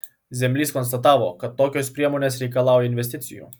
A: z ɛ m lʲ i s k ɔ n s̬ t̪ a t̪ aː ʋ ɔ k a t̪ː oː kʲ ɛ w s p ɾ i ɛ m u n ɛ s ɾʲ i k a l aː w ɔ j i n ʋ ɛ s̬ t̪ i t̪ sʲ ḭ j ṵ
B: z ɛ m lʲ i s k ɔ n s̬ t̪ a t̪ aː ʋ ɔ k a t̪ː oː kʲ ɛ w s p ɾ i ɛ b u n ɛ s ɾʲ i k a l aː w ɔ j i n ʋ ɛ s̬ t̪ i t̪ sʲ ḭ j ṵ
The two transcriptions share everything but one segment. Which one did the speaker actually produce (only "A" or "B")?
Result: A